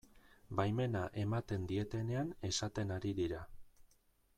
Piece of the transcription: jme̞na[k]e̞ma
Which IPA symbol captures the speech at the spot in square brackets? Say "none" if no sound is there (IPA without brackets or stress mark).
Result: ʔ